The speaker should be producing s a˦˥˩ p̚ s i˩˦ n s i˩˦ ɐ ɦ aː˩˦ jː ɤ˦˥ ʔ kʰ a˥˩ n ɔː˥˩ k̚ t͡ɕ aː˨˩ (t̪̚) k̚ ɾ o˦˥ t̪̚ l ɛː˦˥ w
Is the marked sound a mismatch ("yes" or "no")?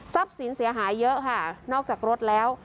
yes